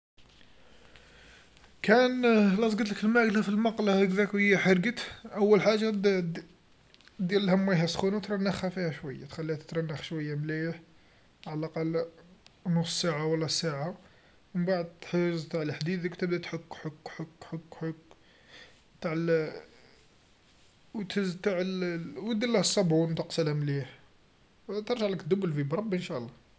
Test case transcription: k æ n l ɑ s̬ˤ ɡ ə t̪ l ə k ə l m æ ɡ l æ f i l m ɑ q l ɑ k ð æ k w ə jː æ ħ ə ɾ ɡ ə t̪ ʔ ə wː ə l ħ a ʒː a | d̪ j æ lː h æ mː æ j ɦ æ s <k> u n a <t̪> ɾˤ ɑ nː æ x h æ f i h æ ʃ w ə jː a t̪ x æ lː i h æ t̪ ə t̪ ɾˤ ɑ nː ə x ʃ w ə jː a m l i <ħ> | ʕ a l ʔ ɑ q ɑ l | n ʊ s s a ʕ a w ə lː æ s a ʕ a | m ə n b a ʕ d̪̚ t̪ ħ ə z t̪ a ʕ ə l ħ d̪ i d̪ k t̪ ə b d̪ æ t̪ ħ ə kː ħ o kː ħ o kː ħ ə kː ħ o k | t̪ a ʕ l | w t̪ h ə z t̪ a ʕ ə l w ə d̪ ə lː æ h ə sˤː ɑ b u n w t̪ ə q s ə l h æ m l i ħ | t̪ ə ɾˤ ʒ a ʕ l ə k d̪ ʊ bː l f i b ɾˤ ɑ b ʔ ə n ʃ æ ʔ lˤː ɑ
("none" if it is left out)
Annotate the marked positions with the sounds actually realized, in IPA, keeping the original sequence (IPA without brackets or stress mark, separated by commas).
x, t̪, ħ